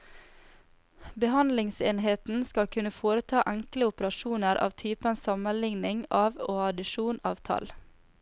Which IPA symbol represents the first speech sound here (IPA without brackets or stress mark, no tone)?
b